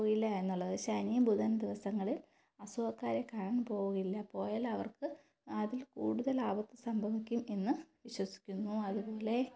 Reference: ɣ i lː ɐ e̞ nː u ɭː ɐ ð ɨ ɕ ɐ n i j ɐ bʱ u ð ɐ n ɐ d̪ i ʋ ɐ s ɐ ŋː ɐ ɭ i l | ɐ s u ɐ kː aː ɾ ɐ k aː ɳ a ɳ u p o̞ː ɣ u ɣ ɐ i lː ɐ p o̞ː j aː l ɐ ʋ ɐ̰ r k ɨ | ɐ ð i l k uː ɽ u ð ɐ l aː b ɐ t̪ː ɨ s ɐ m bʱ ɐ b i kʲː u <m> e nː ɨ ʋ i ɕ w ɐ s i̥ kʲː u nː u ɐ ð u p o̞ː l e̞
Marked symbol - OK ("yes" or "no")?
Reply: yes